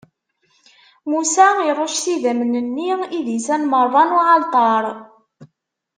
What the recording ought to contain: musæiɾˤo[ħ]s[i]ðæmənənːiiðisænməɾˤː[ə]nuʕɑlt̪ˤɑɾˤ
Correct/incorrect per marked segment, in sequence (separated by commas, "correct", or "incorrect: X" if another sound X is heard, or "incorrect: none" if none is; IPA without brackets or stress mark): incorrect: ʃ, correct, incorrect: ɑ